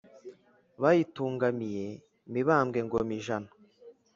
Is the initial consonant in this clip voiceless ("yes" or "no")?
no